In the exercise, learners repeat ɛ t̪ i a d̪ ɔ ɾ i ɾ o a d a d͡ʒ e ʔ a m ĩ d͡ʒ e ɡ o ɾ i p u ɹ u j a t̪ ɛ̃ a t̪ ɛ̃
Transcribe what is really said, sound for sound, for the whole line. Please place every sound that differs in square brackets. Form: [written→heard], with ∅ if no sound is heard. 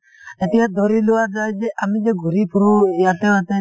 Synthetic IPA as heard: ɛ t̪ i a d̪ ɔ ɾ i [ɾ→l] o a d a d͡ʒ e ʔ a m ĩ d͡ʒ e ɡ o ɾ i p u [ɹ→ɾ] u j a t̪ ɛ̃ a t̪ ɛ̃

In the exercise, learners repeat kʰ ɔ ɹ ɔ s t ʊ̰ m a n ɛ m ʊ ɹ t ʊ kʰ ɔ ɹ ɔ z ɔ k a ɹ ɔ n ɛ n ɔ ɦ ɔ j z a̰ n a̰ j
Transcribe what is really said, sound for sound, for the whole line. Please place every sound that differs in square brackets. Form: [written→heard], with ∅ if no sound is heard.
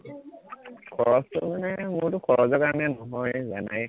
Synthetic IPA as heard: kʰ ɔ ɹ ɔ s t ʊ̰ m a n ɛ m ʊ ɹ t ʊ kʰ ɔ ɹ ɔ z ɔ k a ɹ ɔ n ɛ n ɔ ɦ ɔ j z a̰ n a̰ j

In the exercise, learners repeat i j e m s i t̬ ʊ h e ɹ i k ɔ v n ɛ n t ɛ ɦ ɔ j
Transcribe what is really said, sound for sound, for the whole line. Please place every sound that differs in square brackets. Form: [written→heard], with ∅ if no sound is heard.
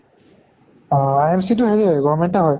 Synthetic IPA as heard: [i→a] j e m s i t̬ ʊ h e ɹ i [k→ɡ] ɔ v [n→m] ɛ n t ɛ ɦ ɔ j

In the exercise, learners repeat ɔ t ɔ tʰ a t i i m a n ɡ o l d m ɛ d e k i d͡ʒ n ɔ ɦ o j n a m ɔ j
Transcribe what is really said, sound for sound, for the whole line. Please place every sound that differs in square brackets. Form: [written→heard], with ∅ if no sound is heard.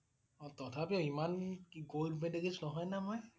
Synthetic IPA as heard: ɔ t ɔ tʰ a [t→p] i i m a n ɡ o l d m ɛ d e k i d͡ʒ n ɔ ɦ [o→ɔ] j n a m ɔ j

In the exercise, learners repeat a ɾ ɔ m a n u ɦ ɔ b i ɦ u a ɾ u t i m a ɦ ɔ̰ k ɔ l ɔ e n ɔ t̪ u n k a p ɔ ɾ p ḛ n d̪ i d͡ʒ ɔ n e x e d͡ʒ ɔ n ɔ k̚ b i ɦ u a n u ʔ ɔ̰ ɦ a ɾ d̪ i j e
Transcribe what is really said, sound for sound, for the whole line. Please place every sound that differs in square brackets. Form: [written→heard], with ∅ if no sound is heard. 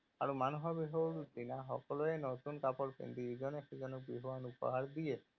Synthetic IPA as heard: a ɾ [ɔ→u] m a n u ɦ ɔ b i ɦ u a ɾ u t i [m→n] a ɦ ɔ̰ k ɔ l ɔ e n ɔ t̪ u n k a p ɔ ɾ p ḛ n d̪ i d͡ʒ ɔ n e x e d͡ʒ ɔ n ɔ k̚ b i ɦ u a n u [ʔ→p] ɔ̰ ɦ a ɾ d̪ i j e

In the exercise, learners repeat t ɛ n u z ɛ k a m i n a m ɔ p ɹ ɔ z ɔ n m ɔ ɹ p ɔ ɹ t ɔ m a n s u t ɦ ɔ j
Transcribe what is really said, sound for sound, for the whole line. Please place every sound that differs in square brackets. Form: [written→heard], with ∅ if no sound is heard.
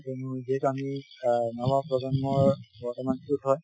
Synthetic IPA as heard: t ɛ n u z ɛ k a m i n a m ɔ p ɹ ɔ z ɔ n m ɔ ɹ [p→b] ɔ ɹ t ɔ m a n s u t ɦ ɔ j

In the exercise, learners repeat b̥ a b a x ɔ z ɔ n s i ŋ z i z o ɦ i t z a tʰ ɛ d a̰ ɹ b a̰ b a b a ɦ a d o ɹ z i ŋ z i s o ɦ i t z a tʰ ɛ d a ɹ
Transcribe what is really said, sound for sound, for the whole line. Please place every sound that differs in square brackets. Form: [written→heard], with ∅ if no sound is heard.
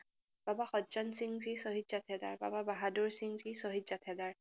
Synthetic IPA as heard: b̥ a b a x ɔ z ɔ n s i ŋ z i [z→s] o ɦ i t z a tʰ ɛ d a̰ ɹ b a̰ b a b a ɦ a d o ɹ [z→s] i ŋ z i s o ɦ i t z a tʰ ɛ d a ɹ

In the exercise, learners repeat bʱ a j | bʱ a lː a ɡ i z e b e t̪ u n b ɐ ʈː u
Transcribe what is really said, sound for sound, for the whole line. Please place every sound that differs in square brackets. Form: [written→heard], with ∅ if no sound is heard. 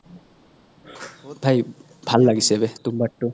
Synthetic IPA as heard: bʱ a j | bʱ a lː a ɡ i [z→s] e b e t̪ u [n→m] b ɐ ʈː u

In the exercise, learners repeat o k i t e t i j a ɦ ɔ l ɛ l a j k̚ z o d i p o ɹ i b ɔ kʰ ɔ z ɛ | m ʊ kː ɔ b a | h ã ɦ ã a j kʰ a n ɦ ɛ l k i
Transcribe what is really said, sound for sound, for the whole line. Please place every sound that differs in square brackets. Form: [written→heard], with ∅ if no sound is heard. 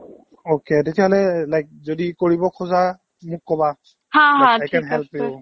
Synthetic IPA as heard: o k [i→e] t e t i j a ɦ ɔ l ɛ l a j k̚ z o d i [p→k] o ɹ i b ɔ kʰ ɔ z [ɛ→a] | m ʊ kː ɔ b a | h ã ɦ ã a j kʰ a n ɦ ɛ l [k→p] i

